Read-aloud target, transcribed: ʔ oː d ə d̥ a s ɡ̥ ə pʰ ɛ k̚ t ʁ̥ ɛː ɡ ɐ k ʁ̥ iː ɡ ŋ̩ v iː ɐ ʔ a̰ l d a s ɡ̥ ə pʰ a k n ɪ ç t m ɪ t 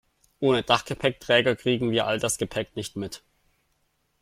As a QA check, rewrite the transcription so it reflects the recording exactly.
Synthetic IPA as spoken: ʔ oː n ə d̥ a χ ɡ̥ ə pʰ ɛ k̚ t ʁ̥ ɛː ɡ ɐ k ʁ̥ iː ɡ ŋ̩ v iː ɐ ʔ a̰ l d a s ɡ̥ ə pʰ ɛ k n ɪ ç t m ɪ t